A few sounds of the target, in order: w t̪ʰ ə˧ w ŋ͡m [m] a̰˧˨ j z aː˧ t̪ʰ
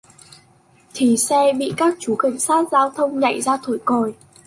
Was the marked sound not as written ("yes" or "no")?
yes